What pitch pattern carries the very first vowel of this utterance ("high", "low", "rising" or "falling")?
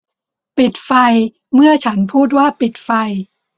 low